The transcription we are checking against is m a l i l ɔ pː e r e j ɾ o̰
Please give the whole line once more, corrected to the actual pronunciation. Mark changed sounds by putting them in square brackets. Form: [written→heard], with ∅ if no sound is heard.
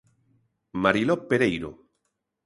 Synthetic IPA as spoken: m a [l→ɾ] i l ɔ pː e [r→ɾ] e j ɾ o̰